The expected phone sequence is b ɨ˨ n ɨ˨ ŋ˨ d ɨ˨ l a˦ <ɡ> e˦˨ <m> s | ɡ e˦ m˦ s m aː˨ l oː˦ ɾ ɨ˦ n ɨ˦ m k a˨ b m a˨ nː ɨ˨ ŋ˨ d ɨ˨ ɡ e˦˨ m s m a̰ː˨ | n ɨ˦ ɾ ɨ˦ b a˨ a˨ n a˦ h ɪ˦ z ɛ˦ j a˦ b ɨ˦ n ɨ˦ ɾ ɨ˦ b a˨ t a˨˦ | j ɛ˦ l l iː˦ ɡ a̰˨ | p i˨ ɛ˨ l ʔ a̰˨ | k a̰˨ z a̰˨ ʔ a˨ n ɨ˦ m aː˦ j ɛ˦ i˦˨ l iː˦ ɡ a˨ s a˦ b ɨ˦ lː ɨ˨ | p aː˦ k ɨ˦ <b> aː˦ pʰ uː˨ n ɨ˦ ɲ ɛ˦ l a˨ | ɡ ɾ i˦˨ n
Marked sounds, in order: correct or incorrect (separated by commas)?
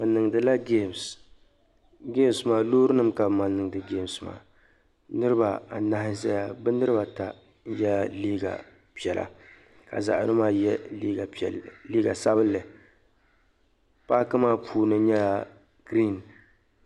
correct, correct, incorrect